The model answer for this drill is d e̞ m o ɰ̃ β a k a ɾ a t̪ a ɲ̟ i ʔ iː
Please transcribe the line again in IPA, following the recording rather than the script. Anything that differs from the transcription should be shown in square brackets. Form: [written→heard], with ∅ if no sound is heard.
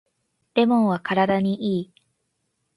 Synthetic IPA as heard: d e̞ m [o→õ] ɰ̃ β a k a ɾ a [t̪→d̪] a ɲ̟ i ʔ iː